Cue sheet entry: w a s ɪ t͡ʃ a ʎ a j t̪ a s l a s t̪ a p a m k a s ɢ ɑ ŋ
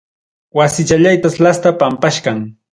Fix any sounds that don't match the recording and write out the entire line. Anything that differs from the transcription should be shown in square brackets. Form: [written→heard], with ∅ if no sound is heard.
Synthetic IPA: w a s ɪ t͡ʃ a ʎ a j t̪ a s l a s t̪ a p a m [k→p] a [s→ʃ] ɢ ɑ ŋ